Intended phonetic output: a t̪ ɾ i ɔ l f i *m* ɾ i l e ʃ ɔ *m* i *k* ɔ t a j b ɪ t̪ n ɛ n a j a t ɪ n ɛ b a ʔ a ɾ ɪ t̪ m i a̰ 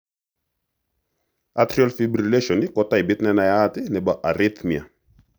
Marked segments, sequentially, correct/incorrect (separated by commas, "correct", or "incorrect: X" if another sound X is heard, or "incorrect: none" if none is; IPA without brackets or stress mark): incorrect: b, incorrect: n, correct